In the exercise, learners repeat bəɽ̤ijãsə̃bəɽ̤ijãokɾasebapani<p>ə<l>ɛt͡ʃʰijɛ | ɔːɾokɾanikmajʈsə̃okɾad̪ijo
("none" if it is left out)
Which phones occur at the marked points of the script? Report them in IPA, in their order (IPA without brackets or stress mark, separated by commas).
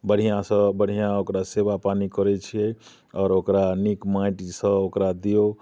k, ɾ